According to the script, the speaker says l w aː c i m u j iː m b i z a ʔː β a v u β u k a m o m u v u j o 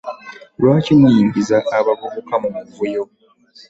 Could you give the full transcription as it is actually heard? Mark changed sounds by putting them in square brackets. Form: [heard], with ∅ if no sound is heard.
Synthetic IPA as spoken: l w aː c i m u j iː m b i z a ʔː β a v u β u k a m [u] m u v u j o